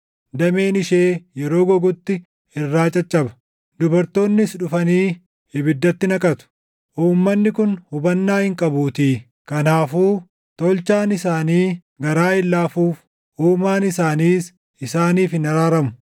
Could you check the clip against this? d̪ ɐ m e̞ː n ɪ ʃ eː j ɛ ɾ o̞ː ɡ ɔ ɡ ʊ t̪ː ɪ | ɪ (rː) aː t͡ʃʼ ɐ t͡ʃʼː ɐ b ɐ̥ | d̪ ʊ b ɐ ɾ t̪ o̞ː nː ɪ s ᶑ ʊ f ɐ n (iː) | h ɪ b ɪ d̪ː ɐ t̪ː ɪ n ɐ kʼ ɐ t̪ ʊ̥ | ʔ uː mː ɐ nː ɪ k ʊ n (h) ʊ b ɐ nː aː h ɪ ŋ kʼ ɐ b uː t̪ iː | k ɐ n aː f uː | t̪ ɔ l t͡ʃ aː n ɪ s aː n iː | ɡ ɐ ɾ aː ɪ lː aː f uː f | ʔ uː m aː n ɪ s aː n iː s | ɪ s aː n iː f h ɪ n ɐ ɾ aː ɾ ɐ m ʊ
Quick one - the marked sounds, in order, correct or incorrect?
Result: correct, correct, correct

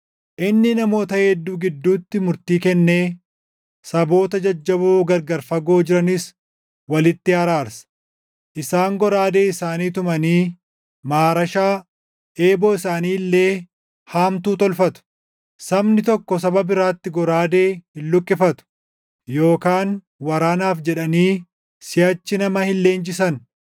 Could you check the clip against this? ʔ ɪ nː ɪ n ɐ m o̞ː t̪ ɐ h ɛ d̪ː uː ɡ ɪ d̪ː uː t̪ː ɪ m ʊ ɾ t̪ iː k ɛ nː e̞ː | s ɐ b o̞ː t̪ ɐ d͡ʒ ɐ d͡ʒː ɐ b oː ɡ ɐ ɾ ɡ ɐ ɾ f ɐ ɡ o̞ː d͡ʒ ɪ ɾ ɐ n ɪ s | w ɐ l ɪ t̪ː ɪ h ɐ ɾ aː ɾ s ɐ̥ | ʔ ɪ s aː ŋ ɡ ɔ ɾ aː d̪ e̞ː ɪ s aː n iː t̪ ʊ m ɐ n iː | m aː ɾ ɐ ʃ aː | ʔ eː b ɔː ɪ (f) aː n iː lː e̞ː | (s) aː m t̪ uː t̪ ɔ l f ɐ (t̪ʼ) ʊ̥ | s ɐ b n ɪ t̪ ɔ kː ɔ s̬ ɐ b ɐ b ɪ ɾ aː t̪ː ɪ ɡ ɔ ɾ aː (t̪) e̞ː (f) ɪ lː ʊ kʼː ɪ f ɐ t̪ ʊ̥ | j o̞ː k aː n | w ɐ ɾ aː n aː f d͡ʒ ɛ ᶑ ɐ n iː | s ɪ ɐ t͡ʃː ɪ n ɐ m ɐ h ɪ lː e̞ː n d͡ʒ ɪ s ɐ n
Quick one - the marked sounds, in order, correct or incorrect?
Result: incorrect, incorrect, incorrect, incorrect, incorrect

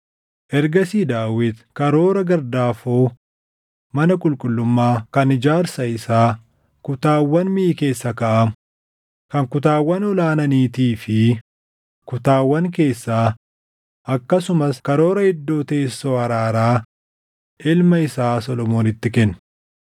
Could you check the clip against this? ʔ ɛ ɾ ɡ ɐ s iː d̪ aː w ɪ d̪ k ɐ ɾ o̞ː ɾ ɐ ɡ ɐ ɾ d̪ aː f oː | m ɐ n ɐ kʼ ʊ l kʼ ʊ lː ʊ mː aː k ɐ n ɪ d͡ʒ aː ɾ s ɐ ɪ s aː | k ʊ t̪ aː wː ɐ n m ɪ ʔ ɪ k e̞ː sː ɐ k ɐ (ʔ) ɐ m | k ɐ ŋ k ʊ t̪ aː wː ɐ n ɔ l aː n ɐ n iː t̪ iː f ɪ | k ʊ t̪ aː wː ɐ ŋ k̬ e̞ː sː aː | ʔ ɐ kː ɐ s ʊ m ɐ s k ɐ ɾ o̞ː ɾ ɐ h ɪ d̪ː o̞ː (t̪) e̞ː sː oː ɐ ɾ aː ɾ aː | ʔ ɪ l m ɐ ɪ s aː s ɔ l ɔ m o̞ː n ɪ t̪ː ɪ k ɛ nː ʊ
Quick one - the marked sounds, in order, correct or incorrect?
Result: correct, correct

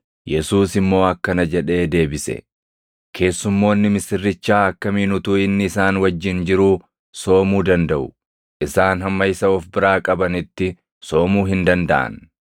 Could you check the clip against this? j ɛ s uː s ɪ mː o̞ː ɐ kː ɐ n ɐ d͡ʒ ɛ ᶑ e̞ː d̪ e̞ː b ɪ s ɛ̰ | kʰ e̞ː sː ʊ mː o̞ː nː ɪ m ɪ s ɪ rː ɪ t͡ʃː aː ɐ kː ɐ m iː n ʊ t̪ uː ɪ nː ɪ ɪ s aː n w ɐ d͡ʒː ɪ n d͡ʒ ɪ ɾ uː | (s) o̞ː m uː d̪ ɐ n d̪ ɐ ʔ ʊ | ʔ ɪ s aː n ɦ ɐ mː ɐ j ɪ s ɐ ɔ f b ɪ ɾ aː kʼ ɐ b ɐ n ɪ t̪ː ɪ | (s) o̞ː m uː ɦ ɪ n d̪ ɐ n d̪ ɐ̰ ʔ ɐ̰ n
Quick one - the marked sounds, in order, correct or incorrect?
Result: correct, correct

